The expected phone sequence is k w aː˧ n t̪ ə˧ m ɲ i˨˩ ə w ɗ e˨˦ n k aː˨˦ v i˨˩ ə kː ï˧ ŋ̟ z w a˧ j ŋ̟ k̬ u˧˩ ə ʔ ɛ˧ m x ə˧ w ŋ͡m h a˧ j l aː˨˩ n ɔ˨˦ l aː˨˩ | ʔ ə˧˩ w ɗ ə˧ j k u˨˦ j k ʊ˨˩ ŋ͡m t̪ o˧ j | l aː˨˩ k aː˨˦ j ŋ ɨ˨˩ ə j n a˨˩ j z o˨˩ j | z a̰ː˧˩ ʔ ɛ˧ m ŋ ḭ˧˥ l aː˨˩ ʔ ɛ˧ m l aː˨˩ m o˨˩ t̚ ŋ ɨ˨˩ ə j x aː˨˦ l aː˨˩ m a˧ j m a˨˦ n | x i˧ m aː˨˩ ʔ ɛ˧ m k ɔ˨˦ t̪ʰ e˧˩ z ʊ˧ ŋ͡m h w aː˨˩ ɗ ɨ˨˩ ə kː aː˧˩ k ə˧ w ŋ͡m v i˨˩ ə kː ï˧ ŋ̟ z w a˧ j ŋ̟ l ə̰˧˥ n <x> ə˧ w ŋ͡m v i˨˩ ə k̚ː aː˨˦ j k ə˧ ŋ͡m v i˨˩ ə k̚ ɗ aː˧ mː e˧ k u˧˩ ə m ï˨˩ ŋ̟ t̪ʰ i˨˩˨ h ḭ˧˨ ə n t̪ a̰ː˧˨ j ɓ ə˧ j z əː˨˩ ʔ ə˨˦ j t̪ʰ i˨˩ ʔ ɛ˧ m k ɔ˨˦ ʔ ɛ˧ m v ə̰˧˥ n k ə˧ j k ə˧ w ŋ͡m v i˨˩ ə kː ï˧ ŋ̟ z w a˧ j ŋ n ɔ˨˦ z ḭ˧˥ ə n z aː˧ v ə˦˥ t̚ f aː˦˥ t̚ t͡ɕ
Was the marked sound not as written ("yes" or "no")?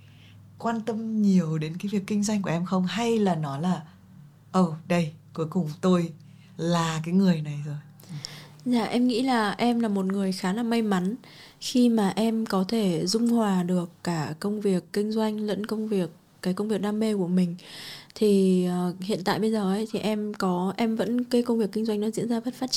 yes